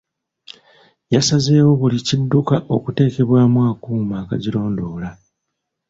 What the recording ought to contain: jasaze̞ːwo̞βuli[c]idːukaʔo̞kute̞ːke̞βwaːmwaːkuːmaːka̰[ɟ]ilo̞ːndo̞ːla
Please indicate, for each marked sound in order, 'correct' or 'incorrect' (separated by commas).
correct, correct